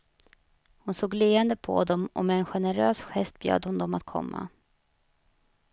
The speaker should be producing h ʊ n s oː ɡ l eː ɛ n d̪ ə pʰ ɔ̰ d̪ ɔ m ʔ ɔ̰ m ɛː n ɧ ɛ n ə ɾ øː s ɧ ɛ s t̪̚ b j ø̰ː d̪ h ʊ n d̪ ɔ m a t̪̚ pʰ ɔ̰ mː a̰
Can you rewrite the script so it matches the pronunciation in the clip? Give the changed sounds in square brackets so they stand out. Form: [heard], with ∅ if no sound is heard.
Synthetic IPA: h ʊ n s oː ɡ l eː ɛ n d̪ ə pʰ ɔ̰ d̪ ɔ m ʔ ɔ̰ m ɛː n ɧ ɛ n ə ɾ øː s ɧ ɛ s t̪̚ b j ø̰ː d̪ h ʊ n d̪ ɔ m a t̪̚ [kʰ] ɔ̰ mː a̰